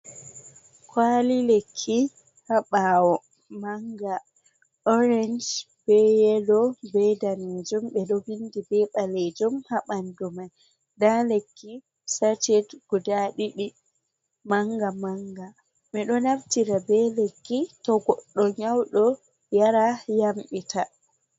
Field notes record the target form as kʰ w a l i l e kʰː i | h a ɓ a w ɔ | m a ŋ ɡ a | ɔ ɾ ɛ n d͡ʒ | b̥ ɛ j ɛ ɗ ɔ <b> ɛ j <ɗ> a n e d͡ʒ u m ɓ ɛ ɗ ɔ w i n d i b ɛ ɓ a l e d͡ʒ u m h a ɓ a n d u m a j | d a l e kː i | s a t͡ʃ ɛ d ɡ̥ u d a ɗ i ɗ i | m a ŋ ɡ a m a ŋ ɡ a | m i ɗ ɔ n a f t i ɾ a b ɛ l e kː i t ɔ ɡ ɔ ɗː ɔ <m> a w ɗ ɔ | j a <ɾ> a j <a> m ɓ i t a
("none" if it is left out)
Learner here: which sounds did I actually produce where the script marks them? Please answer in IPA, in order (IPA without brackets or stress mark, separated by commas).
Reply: b, d, ɲ, ɾ, a